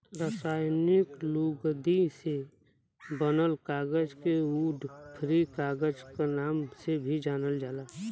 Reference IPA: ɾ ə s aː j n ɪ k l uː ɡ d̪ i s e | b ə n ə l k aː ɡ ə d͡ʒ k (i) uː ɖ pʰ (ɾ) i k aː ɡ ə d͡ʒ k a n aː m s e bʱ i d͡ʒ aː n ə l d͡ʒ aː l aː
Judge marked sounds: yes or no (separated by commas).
no, yes